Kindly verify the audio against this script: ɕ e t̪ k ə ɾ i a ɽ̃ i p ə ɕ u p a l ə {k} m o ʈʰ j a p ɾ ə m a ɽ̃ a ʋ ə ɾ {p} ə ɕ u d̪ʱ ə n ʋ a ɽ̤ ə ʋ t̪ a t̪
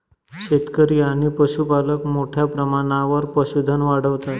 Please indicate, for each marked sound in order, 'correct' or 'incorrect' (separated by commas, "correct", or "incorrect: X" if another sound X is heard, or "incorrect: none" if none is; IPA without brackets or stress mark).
correct, correct